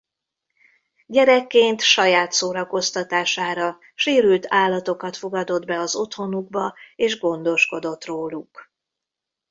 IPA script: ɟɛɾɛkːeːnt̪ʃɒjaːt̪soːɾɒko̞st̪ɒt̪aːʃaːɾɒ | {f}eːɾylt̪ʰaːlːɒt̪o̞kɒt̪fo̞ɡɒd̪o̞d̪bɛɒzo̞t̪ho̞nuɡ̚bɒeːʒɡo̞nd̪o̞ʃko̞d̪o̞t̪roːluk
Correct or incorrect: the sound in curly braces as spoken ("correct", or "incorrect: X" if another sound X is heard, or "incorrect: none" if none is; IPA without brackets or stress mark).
incorrect: ʃ